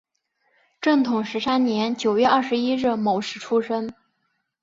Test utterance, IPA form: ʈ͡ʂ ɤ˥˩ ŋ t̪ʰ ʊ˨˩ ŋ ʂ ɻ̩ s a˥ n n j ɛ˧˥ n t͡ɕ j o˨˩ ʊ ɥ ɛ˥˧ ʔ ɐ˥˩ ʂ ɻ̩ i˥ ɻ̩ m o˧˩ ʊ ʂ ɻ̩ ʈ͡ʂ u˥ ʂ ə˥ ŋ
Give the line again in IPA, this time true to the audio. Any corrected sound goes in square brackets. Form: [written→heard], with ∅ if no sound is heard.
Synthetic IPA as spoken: ʈ͡ʂ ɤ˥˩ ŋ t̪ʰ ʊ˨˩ ŋ ʂ ɻ̩ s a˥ n n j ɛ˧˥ n t͡ɕ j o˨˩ ʊ ɥ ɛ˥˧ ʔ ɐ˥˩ ʂ ɻ̩ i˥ ɻ̩ m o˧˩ ʊ ʂ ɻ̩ [ʈ͡ʂ→ʈ͡ʂʰ] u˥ ʂ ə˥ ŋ